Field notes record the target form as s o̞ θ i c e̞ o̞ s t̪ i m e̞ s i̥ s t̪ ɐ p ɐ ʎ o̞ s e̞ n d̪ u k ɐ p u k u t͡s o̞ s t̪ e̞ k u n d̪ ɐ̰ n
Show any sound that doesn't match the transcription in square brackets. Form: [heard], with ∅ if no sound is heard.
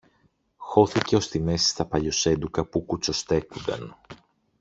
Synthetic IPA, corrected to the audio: [x] o̞ θ i c e̞ o̞ s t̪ i m e̞ s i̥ s t̪ ɐ p ɐ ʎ o̞ s e̞ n d̪ u k ɐ p u k u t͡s o̞ s t̪ e̞ k u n d̪ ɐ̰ n